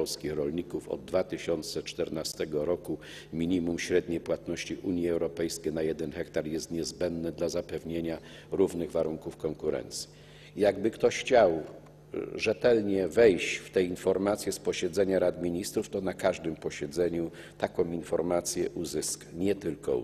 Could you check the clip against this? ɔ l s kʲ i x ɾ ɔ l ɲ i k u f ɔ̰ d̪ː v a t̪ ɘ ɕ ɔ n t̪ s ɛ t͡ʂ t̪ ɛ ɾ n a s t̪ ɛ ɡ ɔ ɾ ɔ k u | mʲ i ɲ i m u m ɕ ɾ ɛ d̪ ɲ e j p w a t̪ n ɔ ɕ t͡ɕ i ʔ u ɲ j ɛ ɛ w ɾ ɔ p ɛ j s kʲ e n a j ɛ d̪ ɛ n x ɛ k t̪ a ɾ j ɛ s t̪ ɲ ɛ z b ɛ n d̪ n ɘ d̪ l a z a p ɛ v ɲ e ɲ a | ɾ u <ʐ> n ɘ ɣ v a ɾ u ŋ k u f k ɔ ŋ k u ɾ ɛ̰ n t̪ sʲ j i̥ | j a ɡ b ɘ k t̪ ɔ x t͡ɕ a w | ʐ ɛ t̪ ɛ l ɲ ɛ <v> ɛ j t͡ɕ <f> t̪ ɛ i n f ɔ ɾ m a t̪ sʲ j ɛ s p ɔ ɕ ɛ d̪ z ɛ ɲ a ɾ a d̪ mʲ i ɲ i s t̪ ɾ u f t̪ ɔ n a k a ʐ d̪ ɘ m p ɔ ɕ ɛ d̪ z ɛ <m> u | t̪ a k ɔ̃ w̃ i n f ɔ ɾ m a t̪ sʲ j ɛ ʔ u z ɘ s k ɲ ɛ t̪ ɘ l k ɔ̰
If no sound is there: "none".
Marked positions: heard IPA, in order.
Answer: v, v, f, ɲ

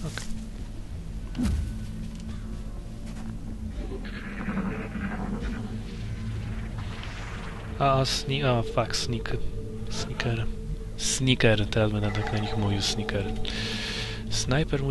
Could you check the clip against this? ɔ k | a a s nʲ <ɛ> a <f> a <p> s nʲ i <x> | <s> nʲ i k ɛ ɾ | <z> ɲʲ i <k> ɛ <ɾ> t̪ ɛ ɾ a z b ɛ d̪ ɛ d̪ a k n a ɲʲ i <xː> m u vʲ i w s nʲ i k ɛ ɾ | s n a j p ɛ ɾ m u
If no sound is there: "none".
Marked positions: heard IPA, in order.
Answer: i, f, k, k, s, s, k, ɾ, x

